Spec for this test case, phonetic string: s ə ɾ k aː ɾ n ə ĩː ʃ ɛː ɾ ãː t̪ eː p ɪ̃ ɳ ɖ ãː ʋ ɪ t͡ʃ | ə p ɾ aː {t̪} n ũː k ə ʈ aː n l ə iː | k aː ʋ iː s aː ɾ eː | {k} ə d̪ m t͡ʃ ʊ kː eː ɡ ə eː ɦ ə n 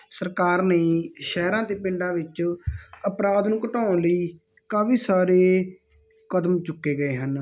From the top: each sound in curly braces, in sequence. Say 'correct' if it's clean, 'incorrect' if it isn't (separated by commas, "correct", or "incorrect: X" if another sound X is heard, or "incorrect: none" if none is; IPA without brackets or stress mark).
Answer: incorrect: d̪, correct